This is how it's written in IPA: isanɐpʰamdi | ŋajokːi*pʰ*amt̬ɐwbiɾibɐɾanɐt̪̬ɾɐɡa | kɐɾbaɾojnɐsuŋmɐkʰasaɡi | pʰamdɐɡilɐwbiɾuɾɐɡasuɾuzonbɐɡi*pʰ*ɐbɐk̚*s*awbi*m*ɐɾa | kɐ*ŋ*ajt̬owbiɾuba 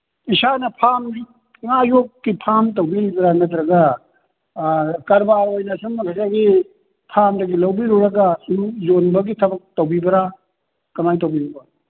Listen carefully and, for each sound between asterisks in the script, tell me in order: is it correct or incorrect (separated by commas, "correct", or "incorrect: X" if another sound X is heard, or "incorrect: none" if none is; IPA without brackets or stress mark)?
correct, incorrect: tʰ, incorrect: t, incorrect: b, incorrect: m